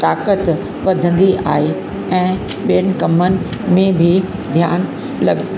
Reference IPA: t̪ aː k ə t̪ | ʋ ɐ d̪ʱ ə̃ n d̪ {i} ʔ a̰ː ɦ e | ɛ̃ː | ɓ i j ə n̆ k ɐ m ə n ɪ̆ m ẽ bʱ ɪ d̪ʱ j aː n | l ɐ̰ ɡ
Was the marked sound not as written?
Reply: no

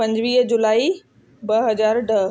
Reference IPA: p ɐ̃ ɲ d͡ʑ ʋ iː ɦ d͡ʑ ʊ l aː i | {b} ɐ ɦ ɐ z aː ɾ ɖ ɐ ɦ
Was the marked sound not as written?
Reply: no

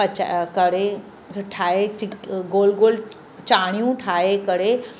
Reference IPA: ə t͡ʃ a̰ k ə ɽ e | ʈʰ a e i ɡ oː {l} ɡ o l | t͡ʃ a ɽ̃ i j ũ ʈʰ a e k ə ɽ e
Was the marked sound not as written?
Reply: no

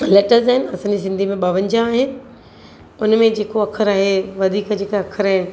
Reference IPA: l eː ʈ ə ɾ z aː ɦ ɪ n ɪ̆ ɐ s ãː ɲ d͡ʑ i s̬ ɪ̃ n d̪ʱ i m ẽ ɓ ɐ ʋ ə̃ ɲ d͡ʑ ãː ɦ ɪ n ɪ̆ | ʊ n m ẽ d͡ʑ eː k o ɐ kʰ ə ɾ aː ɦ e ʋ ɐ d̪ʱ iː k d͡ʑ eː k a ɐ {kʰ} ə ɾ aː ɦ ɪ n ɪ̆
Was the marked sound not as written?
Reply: no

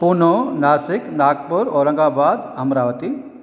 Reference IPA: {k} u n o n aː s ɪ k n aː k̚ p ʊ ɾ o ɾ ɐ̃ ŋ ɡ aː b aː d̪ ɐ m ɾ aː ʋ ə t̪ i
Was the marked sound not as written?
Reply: yes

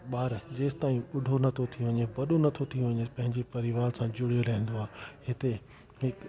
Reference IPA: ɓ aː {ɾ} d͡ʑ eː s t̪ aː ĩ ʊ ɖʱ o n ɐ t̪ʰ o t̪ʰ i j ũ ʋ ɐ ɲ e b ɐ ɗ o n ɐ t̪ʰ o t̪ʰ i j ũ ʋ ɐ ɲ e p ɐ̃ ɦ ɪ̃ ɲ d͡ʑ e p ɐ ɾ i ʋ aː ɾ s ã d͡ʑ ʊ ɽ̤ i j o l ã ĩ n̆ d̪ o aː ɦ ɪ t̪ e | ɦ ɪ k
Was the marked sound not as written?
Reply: no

